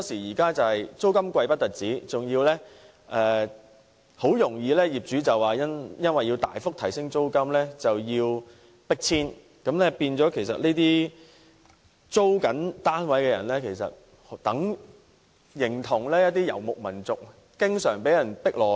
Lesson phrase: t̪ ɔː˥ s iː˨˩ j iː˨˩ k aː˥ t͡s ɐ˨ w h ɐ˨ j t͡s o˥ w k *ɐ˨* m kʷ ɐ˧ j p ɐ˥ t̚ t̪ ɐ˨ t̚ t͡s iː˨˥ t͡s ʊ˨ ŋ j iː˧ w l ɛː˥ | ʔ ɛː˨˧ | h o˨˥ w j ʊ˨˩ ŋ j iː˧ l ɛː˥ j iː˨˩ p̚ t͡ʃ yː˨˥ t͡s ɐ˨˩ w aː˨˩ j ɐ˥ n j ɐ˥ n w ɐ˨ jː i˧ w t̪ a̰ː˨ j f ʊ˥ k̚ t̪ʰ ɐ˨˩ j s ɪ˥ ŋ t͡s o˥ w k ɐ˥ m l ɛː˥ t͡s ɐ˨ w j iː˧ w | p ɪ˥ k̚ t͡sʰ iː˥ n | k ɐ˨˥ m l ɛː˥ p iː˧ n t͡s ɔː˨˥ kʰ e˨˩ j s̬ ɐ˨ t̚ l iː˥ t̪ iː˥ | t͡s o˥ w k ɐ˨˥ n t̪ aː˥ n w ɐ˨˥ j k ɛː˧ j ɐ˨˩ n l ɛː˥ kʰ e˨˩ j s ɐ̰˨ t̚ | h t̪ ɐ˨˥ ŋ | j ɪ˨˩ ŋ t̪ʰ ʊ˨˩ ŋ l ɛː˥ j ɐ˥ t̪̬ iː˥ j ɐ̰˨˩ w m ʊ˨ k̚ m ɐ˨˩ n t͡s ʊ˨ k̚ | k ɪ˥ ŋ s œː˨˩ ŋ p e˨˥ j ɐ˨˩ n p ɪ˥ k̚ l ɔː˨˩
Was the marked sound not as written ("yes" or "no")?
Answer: yes